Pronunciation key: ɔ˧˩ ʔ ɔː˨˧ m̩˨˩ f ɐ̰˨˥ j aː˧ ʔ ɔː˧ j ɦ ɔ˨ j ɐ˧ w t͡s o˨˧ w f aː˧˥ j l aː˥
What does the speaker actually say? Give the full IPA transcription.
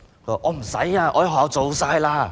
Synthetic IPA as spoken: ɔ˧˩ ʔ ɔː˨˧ m̩˨˩ s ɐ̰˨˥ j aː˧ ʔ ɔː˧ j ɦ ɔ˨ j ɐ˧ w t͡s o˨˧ w s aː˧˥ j l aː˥

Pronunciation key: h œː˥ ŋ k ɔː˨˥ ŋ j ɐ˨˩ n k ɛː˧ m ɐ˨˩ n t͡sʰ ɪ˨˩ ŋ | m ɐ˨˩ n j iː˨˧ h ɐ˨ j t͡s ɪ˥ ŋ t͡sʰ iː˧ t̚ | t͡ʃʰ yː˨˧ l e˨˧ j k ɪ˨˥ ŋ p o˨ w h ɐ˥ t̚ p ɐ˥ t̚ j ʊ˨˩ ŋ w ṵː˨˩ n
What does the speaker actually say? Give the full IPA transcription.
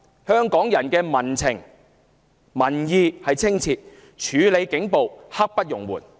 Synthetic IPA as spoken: h œː˥ ŋ k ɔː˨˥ ŋ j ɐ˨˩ n k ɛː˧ m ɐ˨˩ n t͡sʰ ɪ˨˩ ŋ | m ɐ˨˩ n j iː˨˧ h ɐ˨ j t͡sʰ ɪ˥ ŋ t͡sʰ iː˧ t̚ | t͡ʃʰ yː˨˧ l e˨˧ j k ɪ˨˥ ŋ p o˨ w h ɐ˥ k̚ p ɐ˥ t̚ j ʊ˨˩ ŋ w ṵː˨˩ n

